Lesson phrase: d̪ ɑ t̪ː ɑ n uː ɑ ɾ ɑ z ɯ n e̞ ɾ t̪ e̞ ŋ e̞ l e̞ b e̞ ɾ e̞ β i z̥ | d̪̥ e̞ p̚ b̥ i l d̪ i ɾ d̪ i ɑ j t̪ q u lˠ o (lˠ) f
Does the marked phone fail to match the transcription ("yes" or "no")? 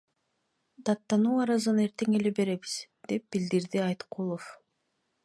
yes